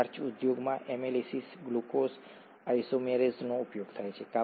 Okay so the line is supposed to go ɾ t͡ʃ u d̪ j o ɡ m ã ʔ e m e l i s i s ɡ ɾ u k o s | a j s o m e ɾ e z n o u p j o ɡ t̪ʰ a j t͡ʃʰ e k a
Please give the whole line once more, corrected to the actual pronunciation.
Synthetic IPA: ɾ t͡ʃ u d̪ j o ɡ m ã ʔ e m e l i s i s ɡ l u k o s | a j s o m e ɾ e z n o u p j o ɡ t̪ʰ a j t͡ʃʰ e k a

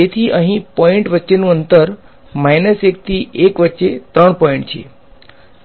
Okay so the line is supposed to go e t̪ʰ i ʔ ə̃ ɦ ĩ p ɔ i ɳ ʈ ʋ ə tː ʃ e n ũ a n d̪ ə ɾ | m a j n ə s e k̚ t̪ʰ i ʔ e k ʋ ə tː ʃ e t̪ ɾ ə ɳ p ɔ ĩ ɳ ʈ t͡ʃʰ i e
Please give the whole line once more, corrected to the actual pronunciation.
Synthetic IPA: e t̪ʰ i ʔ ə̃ ɦ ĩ p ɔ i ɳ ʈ ʋ ə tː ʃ e n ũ ə n t̪ ə ɾ | m a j n ə s e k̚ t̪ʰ i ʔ e k ʋ ə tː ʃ e t̪ ɾ ə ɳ p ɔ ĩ ɳ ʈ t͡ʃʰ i e

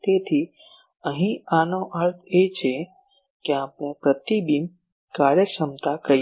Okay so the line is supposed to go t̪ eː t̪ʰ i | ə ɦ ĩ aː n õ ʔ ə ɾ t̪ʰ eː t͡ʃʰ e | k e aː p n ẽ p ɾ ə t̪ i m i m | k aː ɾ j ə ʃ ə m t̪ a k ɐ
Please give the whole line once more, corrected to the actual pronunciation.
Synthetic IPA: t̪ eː t̪ʰ i | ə ɦ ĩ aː n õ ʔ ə ɾ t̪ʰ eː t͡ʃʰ e | k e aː p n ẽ p ɾ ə t̪ i b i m | k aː ɾ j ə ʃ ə m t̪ a k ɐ

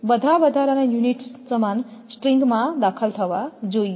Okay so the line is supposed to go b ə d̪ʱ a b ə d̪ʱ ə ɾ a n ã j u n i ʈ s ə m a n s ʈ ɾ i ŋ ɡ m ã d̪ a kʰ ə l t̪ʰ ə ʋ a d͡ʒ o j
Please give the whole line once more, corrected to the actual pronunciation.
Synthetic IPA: b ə d̪ʱ a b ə d̪ʱ a ɾ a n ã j u n i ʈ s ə m a n s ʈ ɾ i ŋ ɡ m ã d̪ a kʰ ə l t̪ʰ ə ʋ a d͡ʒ o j

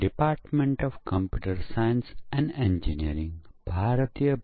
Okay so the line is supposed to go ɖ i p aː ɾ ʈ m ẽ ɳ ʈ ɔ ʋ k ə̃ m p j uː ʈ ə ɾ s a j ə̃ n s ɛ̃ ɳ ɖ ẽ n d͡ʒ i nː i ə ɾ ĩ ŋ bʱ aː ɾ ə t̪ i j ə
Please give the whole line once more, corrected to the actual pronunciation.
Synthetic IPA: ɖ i p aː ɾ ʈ m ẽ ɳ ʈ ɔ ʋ k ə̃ m p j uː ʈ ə ɾ s a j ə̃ n s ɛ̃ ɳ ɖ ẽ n d͡ʒ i n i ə ɾ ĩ ŋ bʱ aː ɾ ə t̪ i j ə

